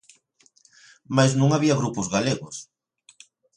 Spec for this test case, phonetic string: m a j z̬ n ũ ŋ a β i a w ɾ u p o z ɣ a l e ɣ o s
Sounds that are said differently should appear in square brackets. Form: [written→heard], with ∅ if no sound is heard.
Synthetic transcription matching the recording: m a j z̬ n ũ ŋ a β i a [w→ɣ] ɾ u p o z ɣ a l e ɣ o s